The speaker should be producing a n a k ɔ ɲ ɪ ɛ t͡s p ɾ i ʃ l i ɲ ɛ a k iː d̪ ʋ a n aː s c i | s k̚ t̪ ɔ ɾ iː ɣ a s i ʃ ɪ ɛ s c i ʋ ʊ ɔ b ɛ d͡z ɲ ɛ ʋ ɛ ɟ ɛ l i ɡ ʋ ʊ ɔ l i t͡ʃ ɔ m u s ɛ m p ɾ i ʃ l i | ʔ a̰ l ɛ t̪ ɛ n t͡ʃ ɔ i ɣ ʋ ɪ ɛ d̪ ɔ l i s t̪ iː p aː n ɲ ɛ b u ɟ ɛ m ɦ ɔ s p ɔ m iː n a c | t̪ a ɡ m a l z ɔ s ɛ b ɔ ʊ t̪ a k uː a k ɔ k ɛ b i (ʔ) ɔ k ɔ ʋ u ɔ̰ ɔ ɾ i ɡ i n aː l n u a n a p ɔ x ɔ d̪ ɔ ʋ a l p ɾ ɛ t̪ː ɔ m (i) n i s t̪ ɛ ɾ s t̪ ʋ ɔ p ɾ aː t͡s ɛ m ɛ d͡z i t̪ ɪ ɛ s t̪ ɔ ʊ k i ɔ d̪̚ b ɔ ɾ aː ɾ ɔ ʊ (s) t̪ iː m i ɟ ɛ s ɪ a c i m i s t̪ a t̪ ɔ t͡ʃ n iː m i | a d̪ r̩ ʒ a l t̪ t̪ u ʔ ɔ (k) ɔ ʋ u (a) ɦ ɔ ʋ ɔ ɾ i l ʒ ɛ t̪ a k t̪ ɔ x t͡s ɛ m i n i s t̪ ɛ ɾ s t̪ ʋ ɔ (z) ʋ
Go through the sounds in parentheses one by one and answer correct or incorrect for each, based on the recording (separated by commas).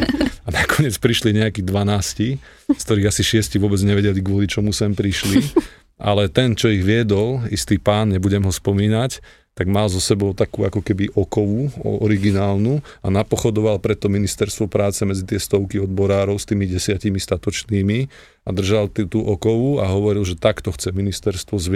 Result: correct, correct, correct, correct, correct, correct